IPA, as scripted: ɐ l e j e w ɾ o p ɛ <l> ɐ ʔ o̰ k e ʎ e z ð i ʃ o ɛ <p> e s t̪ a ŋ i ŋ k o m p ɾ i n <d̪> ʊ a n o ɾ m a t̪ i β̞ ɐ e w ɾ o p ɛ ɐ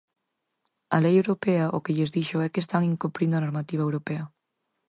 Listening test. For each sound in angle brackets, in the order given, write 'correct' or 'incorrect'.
incorrect: none, incorrect: k, correct

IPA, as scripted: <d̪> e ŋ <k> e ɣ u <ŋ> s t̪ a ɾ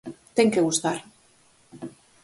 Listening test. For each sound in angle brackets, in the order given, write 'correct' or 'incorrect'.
incorrect: t̪, correct, incorrect: none

